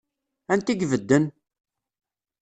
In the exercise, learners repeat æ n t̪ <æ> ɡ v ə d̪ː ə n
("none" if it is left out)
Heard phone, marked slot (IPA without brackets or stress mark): i